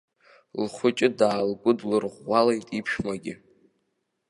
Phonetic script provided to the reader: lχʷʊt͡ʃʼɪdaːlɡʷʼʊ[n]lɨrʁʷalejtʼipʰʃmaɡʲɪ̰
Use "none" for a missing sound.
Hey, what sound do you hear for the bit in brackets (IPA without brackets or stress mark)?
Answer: d